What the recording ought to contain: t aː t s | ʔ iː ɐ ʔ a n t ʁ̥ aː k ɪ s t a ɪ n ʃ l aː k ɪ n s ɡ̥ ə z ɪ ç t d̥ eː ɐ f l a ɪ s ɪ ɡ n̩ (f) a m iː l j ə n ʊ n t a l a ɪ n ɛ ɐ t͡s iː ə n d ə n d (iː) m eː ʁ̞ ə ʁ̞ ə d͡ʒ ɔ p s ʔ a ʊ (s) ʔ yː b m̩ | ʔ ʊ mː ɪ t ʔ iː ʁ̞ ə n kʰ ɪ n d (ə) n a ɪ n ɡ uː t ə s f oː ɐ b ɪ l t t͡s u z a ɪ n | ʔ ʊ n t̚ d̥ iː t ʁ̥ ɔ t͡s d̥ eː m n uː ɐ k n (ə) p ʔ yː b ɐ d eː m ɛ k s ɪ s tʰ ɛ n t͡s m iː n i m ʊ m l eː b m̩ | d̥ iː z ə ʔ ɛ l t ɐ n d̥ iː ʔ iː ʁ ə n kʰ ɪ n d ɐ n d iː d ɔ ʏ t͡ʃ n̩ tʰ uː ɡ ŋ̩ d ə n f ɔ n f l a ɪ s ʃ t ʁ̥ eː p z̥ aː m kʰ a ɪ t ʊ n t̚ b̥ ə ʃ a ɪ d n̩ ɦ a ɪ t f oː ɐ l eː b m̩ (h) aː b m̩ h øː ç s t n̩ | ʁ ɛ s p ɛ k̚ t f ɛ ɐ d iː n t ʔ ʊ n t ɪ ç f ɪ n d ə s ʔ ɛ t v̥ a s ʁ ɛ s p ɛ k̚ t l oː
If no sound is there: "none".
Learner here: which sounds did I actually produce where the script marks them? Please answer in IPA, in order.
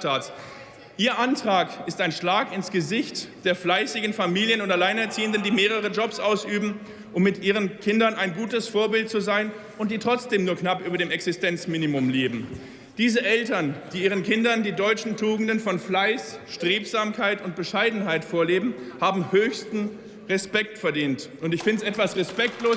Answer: f, iː, s, ɐ, a, h

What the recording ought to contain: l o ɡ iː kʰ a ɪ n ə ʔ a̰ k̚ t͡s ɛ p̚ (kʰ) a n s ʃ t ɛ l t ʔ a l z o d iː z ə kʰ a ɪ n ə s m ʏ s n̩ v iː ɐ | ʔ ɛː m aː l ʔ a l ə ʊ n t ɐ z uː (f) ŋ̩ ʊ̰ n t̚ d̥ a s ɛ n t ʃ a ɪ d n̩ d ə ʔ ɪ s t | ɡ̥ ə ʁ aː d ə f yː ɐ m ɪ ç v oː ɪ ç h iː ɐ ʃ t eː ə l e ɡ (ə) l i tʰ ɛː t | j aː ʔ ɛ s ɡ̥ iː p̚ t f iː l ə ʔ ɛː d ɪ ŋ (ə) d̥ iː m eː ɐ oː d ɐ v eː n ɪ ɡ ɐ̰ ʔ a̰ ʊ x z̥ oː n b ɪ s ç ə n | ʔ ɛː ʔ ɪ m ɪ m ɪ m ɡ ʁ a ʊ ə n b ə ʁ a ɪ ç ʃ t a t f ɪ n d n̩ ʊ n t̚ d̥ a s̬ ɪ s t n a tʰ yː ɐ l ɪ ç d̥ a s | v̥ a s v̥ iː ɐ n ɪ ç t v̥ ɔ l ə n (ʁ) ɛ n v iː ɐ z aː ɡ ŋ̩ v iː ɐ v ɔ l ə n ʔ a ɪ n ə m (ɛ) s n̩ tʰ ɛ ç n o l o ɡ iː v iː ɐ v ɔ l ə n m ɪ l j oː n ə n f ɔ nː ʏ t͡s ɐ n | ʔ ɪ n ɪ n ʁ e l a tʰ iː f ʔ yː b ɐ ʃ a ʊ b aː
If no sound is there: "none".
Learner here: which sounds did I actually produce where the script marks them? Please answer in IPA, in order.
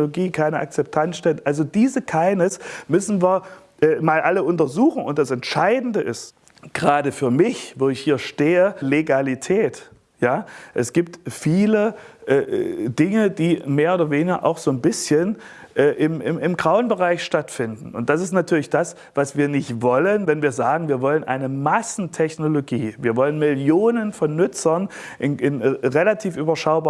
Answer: tʰ, x, a, ə, v, a

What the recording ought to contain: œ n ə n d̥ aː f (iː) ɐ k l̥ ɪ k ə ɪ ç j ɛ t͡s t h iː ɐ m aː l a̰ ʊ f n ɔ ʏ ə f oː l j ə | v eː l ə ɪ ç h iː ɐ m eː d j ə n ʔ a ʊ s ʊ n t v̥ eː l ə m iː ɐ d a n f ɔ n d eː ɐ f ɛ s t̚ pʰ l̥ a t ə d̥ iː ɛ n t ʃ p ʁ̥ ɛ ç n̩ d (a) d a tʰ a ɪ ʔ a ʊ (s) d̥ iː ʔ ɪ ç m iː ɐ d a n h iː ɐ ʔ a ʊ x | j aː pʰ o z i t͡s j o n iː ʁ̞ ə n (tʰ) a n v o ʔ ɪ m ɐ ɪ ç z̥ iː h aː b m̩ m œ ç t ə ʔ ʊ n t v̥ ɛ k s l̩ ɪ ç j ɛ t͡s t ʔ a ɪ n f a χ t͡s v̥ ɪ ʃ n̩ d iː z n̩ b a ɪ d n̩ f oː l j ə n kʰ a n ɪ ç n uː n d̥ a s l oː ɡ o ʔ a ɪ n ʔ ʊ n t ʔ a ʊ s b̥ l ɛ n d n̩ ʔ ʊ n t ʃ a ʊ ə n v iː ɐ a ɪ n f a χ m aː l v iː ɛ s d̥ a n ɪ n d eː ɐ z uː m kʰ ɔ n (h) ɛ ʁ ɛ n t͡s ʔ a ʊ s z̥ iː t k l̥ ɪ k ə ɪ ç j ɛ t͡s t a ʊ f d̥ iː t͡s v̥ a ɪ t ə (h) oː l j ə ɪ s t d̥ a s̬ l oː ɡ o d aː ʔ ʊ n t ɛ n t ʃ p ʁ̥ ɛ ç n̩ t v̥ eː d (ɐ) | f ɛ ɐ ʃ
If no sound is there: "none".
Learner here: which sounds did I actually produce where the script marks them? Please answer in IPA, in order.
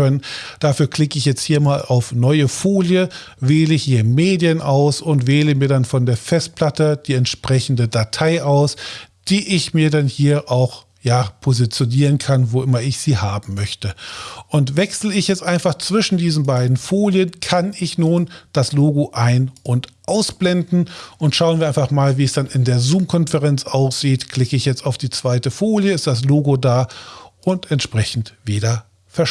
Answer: yː, ə, s, kʰ, f, f, ɐ

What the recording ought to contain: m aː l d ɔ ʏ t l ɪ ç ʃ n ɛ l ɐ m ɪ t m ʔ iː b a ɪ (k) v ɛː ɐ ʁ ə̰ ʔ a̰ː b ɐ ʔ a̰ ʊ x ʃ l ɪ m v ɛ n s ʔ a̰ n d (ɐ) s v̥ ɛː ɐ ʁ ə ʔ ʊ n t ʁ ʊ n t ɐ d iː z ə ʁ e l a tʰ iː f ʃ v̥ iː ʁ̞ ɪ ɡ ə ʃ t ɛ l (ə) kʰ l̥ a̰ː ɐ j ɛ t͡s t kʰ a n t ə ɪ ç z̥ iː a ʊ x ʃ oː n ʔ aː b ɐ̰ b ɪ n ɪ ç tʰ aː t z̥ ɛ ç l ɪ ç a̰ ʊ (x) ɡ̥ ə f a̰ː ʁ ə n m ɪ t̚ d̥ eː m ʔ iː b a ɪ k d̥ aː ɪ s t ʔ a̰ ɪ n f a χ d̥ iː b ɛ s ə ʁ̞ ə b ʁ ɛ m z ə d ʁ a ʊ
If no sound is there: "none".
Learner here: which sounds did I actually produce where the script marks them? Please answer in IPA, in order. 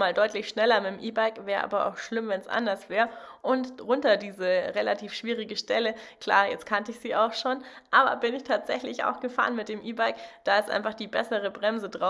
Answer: k, ɐ, ə, x

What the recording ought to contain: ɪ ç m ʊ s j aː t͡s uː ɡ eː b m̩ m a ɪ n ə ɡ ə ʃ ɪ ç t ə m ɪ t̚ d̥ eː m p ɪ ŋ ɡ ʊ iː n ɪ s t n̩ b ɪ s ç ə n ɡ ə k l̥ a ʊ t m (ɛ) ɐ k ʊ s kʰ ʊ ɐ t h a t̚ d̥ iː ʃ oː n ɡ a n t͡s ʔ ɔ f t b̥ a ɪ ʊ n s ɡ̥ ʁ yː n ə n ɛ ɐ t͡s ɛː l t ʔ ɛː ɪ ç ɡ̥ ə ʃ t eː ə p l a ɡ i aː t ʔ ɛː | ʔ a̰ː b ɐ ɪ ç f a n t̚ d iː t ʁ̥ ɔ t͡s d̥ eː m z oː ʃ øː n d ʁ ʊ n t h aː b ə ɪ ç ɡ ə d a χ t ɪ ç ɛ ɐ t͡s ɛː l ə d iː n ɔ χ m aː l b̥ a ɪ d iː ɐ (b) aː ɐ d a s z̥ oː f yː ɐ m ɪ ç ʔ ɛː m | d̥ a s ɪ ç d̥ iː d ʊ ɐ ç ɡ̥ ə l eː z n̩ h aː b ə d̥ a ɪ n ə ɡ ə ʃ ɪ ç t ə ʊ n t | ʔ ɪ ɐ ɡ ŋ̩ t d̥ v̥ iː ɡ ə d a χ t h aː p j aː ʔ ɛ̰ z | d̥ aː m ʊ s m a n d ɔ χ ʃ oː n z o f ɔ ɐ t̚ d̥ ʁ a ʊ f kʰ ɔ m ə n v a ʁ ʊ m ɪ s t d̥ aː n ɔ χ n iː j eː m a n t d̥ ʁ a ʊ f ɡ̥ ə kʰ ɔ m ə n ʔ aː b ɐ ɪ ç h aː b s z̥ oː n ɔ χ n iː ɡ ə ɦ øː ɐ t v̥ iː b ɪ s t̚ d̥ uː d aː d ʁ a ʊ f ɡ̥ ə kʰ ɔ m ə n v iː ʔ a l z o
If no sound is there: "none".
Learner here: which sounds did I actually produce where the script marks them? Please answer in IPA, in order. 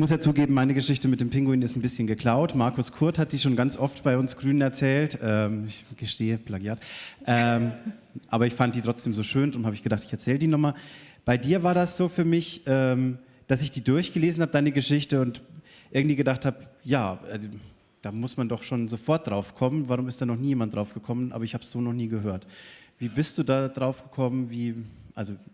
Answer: a, v

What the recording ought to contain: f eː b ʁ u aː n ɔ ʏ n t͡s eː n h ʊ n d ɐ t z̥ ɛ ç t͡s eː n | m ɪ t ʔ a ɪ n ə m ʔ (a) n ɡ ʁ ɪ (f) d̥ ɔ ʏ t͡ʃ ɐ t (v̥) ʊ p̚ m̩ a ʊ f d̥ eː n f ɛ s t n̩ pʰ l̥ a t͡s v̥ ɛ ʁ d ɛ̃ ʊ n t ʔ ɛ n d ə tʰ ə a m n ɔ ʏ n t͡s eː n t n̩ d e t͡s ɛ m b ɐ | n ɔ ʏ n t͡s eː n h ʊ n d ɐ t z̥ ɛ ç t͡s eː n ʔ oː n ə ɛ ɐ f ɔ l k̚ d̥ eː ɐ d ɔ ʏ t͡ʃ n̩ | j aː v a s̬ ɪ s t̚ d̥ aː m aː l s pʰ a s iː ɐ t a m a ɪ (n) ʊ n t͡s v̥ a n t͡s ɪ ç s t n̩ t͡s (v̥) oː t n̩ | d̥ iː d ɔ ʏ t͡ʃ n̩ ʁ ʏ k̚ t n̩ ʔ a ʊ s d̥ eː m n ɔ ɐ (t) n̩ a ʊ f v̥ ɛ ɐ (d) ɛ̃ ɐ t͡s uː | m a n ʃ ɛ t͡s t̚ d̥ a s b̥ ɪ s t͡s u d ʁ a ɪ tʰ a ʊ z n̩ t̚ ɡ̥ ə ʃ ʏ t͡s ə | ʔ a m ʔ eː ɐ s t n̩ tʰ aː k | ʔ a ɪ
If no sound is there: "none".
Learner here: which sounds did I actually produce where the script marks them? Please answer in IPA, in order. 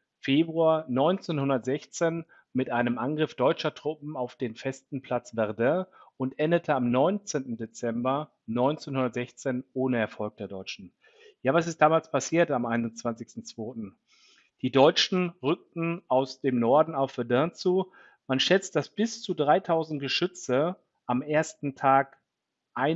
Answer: a, f, ʁ̥, n, v̥, d, d

